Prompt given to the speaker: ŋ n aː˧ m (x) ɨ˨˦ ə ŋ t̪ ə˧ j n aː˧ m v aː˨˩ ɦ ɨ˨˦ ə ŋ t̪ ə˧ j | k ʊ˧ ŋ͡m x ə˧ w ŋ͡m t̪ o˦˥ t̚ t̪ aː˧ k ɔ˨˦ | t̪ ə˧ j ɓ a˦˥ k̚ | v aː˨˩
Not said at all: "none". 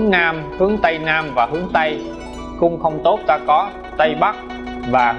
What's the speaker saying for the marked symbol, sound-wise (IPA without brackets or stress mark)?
h